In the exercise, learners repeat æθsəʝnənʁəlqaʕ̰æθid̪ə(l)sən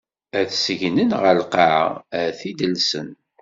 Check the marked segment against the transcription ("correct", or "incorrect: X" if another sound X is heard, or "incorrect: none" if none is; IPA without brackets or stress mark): correct